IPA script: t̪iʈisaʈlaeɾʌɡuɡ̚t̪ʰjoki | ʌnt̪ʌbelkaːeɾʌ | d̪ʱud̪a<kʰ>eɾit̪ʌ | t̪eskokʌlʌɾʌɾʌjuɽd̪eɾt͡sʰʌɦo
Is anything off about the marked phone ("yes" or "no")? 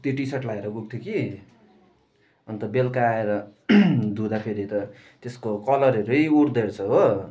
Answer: yes